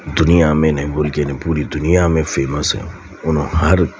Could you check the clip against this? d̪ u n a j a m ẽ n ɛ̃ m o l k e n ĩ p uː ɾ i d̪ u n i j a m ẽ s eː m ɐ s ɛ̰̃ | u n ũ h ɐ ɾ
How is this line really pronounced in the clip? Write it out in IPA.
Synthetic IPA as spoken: d̪ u n i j a m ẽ n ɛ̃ b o l k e n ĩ p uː ɾ i d̪ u n i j a m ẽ f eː m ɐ s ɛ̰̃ | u n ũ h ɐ ɾ